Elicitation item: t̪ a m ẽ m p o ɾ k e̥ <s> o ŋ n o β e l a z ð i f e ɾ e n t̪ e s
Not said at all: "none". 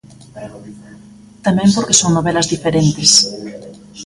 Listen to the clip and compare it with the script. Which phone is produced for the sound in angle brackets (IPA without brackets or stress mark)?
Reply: s